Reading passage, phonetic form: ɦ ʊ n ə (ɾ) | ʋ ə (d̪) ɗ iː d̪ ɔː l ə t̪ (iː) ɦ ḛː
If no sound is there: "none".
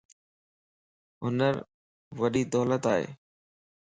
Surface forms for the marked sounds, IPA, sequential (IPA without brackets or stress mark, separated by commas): ɾ, none, aː